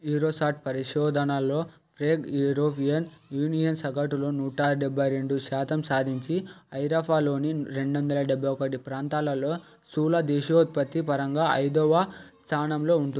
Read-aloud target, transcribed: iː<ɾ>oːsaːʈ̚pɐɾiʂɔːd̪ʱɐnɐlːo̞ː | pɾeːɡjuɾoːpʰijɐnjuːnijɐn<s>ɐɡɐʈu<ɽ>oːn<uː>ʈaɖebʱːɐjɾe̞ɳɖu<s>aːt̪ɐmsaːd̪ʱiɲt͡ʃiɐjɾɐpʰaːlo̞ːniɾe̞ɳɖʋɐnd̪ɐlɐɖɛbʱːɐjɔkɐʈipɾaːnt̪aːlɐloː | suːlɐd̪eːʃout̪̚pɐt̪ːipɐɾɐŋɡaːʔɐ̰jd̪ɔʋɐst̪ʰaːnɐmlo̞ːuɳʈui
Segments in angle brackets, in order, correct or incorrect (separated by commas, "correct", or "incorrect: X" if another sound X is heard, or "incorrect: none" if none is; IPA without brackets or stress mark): correct, correct, incorrect: l, correct, incorrect: ʃ